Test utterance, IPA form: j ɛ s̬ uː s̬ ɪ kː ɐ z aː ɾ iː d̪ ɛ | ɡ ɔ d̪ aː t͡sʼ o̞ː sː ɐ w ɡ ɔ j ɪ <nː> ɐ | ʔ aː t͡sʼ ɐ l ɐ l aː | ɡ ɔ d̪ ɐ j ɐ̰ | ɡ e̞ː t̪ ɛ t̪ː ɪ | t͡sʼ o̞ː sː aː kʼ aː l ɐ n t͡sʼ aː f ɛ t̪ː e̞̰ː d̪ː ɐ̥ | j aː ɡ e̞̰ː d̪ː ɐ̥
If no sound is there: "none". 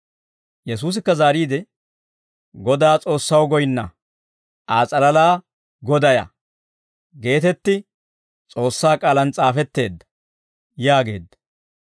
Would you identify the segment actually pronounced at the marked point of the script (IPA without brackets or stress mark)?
nː